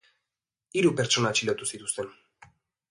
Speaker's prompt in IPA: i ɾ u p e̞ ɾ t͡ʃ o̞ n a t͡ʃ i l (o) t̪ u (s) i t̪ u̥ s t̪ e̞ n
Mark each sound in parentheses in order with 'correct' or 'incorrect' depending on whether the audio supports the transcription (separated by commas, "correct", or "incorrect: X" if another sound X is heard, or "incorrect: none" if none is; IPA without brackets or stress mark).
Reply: correct, correct